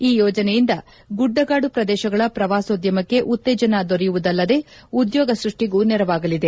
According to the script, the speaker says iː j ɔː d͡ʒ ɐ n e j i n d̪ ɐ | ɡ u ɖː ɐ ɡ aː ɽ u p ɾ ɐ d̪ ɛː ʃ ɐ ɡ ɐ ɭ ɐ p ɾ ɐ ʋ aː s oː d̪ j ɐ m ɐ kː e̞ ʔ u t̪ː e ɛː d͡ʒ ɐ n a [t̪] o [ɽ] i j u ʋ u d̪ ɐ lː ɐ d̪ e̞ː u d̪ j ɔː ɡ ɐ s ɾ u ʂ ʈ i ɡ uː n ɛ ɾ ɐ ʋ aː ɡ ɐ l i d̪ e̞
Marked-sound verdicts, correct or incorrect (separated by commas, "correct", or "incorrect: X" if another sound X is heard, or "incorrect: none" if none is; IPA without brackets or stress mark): incorrect: d̪, incorrect: ɾ